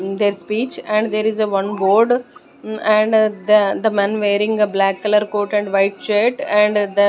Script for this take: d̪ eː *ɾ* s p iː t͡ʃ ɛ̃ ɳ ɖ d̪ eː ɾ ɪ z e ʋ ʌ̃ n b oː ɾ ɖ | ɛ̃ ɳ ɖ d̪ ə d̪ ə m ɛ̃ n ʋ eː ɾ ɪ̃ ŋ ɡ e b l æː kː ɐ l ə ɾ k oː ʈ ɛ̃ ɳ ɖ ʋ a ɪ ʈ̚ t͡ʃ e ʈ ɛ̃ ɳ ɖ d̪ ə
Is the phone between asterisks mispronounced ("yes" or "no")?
no